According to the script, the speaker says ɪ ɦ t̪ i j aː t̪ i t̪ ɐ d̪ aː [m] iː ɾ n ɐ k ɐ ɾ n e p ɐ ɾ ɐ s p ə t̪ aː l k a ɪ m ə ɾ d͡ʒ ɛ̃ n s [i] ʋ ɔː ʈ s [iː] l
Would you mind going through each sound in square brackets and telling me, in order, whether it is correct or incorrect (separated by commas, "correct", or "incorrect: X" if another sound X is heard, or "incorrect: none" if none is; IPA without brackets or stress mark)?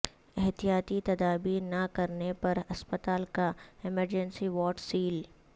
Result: incorrect: b, correct, correct